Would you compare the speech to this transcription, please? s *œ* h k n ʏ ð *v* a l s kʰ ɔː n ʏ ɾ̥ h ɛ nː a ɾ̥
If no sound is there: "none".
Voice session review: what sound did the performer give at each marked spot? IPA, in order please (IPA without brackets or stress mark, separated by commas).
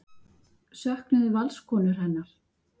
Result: œ, v